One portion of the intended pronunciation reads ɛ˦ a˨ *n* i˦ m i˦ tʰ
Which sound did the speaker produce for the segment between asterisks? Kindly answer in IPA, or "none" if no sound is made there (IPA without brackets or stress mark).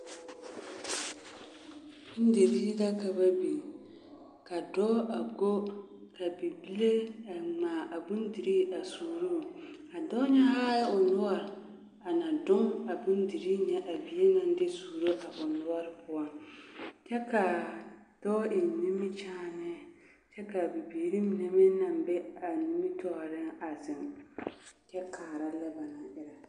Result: n